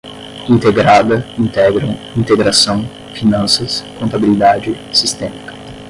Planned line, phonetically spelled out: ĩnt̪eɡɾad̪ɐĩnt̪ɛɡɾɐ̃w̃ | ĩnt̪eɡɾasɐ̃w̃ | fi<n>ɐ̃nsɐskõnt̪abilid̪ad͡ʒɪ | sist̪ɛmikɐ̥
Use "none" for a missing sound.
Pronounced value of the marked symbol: n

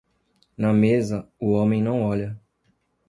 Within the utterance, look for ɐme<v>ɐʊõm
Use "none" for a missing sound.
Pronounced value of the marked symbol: z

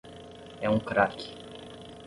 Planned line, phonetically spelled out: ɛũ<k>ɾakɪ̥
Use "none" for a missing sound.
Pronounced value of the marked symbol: k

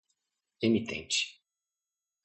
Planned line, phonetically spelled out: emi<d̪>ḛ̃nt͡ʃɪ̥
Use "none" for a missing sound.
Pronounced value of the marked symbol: t̪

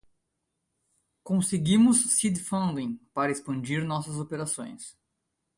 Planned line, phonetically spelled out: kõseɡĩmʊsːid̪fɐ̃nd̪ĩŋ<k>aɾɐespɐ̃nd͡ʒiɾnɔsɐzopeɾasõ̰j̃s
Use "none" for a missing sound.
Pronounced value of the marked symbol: p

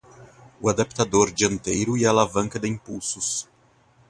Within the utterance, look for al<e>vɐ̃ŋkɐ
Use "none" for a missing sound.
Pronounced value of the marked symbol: a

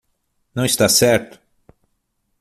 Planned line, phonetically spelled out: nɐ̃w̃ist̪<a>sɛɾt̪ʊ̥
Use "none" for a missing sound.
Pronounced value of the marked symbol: a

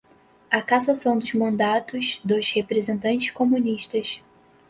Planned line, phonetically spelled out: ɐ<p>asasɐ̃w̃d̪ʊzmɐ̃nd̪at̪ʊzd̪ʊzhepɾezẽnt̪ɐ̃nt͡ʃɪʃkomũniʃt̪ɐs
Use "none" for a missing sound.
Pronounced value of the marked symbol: k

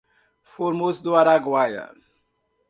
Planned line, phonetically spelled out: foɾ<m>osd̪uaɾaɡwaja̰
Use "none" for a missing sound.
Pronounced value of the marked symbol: m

